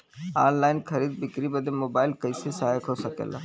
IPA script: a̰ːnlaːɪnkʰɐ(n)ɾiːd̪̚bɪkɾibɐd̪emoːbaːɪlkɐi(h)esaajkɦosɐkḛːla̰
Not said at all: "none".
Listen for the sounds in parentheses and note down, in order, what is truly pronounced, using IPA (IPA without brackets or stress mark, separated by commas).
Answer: none, s